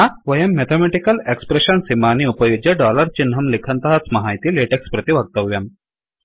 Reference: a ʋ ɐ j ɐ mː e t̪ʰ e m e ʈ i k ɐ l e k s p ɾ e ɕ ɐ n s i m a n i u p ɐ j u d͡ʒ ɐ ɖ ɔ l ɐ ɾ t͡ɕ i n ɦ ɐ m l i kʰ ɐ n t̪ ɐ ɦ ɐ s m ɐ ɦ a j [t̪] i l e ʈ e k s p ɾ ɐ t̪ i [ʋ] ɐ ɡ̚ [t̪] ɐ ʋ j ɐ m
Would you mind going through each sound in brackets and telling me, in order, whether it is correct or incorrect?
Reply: correct, correct, correct

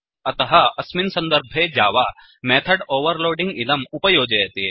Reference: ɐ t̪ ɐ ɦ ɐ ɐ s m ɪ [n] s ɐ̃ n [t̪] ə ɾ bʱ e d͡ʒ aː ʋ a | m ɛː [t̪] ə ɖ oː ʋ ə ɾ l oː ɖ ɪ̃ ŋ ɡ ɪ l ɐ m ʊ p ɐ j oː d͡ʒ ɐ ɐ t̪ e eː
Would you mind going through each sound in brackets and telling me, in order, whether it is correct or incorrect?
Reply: correct, incorrect, incorrect

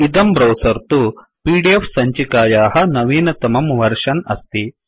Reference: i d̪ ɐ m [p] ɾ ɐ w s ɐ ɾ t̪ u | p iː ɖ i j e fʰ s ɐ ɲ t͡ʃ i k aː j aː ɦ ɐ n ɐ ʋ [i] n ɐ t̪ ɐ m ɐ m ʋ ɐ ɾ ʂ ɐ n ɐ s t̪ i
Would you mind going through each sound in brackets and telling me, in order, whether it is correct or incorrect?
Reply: incorrect, incorrect

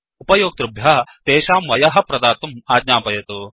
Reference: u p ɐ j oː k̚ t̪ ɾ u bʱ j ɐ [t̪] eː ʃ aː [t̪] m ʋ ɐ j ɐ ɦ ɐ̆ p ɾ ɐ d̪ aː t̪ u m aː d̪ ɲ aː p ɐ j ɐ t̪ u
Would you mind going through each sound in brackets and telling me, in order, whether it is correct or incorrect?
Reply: correct, incorrect

